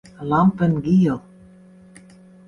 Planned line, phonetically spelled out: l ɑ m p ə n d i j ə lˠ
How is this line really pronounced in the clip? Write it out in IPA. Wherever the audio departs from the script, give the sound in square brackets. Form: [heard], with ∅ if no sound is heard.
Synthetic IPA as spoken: l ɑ m p ə n [ɡ] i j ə lˠ